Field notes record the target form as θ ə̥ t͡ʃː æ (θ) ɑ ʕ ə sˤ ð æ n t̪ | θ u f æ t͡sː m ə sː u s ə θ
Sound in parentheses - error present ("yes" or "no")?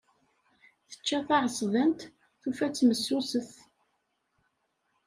no